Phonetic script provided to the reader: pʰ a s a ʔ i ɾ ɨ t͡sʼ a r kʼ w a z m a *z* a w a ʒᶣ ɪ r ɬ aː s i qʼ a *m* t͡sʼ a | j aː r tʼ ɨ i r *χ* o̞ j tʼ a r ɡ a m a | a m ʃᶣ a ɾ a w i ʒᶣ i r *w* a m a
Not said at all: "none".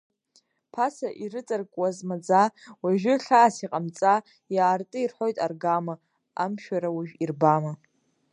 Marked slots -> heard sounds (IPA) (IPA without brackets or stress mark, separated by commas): d͡z, m, ħ, b